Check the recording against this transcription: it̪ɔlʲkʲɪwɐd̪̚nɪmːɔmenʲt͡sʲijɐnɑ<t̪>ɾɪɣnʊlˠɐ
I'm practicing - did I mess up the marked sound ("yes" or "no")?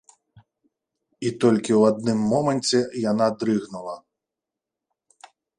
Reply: yes